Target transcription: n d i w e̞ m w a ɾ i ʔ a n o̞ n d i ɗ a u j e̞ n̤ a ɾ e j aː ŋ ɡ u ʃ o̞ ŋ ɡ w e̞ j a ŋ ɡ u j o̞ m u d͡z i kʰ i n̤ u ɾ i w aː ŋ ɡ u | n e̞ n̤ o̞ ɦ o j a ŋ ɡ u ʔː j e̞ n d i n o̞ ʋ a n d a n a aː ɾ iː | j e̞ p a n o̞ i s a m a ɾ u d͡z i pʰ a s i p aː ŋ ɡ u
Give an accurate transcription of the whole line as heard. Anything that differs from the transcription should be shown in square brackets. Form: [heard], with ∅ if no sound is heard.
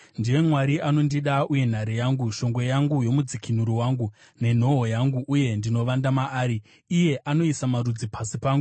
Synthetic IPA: n d i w e̞ m w a ɾ i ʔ a n o̞ n d i ɗ a u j e̞ n̤ a ɾ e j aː ŋ ɡ u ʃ o̞ ŋ ɡ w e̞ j a ŋ ɡ u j o̞ m u d͡z i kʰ i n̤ u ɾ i w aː ŋ ɡ u | n e̞ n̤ o̞ ɦ o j a ŋ ɡ u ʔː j e̞ n d i n o̞ ʋ a n d a [m] a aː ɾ iː | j e̞ [ʔ] a n o̞ i s a m a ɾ u d͡z i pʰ a s i p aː ŋ ɡ u